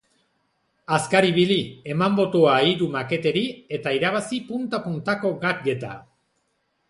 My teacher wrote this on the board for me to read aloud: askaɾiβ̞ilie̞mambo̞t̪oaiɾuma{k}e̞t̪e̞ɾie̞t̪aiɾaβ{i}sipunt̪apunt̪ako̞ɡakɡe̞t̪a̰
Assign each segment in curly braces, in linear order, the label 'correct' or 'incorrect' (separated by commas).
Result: correct, incorrect